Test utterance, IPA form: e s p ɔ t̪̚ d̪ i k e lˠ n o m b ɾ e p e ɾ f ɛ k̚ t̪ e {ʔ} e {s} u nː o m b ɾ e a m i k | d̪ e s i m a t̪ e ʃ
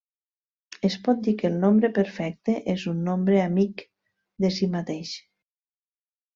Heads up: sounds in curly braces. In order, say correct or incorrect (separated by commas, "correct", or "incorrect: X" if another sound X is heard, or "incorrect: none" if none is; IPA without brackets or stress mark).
correct, incorrect: z